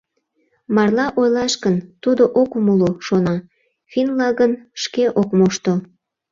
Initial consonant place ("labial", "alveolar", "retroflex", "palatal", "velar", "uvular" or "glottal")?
labial